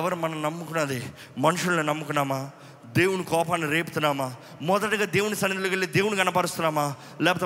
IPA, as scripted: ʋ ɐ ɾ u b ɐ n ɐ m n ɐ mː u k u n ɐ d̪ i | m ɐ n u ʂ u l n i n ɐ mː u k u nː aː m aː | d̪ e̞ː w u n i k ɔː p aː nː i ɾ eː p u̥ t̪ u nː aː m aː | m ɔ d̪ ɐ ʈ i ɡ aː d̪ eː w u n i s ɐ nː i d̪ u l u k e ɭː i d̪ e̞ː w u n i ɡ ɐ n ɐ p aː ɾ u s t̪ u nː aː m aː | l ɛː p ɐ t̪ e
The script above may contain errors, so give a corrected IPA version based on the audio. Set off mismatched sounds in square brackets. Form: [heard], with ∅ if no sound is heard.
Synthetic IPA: ʋ ɐ ɾ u [m] ɐ n ɐ m n ɐ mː u k u n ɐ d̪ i | m ɐ n u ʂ u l n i n ɐ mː u k u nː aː m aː | d̪ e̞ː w u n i k ɔː p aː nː i ɾ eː p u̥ t̪ u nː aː m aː | m ɔ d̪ ɐ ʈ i ɡ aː d̪ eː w u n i s ɐ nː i d̪ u l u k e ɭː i d̪ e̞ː w u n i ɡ ɐ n ɐ p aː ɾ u s t̪ u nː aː m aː | l ɛː p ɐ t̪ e